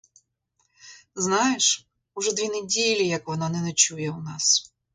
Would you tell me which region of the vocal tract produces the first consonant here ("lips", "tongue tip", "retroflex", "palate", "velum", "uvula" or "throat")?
tongue tip